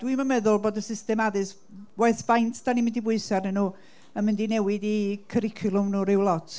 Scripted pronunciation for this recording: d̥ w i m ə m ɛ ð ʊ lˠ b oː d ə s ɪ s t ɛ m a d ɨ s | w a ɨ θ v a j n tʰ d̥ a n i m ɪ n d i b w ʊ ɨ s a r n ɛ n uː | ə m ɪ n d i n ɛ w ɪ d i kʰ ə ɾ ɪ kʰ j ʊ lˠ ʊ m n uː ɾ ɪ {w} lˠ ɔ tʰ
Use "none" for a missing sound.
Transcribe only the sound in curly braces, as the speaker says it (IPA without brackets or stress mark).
w